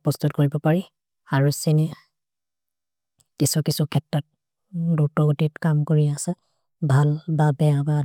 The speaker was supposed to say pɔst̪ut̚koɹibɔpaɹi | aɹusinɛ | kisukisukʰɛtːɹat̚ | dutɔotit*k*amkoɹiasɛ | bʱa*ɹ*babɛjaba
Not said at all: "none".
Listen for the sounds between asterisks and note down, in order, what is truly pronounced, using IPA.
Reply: k, l

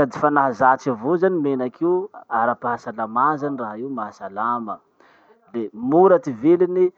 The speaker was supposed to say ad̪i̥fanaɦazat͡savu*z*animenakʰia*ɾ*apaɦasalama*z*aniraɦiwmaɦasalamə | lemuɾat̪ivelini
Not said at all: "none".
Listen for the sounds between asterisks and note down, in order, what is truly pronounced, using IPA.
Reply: z, ɾ, z

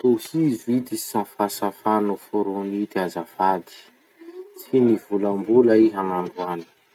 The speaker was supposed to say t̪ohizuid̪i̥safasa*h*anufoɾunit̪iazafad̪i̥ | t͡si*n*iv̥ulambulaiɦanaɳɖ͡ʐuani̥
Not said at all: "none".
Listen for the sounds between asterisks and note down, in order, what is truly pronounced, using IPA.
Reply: f, n

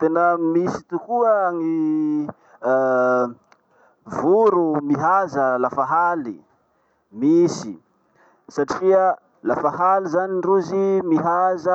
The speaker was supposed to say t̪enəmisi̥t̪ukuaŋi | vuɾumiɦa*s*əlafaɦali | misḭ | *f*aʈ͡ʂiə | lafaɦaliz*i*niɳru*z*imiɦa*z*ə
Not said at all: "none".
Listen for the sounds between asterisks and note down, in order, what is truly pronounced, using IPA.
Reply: z, s, a, z, z

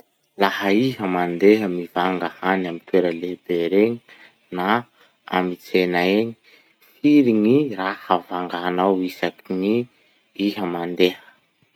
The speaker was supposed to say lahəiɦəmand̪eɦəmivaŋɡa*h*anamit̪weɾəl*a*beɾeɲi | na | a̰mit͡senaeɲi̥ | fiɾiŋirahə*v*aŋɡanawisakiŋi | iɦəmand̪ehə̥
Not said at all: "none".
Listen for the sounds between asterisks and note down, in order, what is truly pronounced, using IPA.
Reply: h, e, v

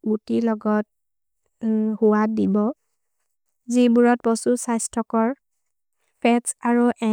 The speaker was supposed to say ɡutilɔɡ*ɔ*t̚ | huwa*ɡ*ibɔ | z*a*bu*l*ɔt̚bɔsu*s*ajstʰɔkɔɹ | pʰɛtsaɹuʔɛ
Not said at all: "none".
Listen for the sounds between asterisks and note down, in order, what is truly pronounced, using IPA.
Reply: ɔ, d, i, ɹ, s

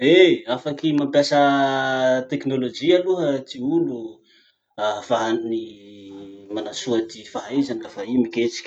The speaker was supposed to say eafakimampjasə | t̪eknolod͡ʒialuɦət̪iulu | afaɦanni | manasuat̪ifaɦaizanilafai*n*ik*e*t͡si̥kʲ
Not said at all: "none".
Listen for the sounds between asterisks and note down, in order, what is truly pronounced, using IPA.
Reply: m, e

